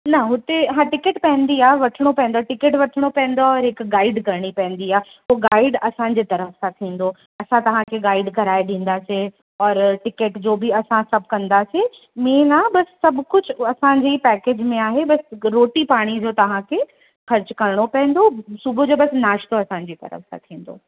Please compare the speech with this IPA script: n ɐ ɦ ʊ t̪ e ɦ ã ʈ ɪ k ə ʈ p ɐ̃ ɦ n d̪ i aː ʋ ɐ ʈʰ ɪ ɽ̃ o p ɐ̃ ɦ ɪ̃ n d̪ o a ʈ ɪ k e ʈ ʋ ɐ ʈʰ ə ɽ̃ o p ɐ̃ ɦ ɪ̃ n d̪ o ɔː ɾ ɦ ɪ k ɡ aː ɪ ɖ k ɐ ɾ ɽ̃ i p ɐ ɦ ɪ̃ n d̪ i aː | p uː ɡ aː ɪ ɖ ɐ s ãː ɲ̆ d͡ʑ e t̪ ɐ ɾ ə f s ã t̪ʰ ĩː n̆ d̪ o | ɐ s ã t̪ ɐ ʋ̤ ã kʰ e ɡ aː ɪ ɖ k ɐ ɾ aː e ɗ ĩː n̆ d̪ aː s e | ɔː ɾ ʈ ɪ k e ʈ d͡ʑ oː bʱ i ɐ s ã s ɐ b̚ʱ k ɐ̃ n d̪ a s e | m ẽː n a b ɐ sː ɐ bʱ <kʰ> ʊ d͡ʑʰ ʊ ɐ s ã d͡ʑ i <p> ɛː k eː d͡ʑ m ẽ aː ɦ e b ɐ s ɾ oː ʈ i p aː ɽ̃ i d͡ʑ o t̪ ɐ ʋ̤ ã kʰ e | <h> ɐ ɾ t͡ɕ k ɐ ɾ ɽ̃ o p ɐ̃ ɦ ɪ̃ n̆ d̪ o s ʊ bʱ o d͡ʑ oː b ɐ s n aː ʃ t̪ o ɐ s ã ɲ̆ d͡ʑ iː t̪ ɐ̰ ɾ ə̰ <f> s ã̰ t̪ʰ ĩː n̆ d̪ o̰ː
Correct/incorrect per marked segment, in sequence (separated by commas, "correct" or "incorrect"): incorrect, correct, incorrect, correct